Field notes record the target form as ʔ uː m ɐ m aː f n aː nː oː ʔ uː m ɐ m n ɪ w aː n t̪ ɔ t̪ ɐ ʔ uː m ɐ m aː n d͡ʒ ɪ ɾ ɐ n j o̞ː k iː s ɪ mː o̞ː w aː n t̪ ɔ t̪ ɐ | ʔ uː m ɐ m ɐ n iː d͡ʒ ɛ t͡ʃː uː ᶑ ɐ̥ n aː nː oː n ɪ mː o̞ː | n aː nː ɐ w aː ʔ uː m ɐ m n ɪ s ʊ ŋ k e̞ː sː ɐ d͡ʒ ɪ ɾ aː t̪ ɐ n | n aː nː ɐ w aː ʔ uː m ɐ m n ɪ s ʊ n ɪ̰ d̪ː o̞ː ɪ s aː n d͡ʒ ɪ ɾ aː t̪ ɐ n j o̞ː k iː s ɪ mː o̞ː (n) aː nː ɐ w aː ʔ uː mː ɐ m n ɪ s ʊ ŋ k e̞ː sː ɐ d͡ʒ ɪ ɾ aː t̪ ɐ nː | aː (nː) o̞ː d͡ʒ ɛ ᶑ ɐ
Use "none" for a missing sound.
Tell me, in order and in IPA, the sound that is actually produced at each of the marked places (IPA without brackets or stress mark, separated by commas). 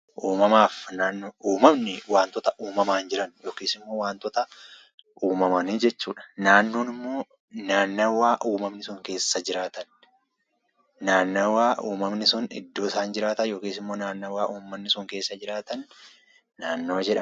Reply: n, nː